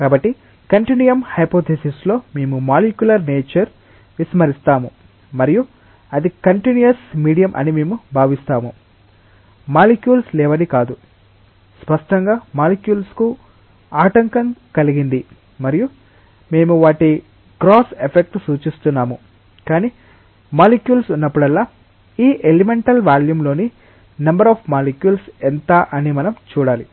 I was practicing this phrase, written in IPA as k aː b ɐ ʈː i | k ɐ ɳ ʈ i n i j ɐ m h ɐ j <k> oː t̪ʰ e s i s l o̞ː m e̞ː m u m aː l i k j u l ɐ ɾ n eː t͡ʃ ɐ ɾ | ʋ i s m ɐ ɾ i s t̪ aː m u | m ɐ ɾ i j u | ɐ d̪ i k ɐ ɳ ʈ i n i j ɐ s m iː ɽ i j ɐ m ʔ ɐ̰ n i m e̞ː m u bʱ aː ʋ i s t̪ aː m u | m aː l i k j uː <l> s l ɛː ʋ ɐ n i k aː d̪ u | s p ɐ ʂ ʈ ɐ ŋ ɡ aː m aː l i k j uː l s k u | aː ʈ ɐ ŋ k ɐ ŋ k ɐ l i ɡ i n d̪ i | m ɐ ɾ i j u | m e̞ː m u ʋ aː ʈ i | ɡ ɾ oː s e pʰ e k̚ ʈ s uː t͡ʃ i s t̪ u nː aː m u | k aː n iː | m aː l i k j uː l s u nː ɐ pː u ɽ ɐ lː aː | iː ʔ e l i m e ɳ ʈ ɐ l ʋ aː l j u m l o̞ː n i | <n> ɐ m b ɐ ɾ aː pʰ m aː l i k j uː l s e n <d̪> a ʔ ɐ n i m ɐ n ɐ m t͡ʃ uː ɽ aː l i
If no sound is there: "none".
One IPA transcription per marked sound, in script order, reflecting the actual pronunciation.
p, l, n, t̪

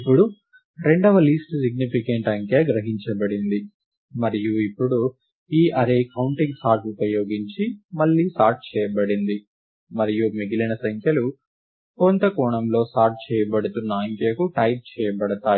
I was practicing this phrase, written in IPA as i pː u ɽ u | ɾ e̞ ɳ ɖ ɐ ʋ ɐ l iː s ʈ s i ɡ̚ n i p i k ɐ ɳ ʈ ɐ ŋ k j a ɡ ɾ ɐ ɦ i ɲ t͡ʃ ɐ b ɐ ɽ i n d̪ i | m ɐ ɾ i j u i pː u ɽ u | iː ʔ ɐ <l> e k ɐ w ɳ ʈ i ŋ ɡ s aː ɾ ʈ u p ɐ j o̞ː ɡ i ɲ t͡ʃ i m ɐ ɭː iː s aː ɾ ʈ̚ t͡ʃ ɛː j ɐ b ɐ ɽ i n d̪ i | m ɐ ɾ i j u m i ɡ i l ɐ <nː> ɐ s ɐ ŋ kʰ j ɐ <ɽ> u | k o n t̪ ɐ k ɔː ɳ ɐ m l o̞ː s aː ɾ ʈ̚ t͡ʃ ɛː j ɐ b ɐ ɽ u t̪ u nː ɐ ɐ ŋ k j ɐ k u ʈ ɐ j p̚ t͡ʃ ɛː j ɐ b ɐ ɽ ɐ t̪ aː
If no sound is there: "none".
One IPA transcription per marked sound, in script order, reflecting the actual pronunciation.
ɾ, n, l

